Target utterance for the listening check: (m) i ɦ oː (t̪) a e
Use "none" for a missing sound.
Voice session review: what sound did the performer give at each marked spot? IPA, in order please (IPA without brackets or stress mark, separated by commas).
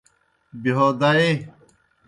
b, d̪